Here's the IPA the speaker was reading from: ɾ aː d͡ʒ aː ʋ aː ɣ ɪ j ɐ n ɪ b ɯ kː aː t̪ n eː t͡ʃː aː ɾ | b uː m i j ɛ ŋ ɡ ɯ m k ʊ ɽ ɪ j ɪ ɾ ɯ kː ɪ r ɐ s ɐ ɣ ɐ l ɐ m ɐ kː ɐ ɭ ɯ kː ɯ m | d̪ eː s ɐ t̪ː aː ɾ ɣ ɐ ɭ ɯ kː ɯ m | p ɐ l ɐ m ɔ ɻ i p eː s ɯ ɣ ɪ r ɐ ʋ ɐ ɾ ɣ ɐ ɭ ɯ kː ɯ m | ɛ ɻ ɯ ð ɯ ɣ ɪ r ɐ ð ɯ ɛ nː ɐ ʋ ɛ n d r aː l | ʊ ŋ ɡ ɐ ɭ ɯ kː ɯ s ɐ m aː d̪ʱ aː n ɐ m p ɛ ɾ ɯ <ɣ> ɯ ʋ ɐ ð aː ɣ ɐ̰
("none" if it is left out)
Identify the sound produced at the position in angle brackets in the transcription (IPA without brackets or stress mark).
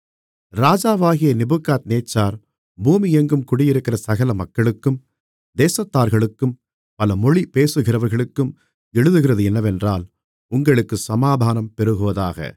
ɣ